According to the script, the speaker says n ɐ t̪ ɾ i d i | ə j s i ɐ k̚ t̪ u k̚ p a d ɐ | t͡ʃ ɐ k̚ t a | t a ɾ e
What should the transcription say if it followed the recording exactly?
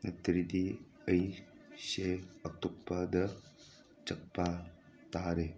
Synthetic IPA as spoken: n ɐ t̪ ɾ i d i | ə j s e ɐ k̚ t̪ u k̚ p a d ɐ | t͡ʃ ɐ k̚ p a | t a ɾ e